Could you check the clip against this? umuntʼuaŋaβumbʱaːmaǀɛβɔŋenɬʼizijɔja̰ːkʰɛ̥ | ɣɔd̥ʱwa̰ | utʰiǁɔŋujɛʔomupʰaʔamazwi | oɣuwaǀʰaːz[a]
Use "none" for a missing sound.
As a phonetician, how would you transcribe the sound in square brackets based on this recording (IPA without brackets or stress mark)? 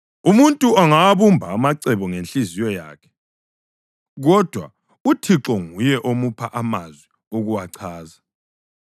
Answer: a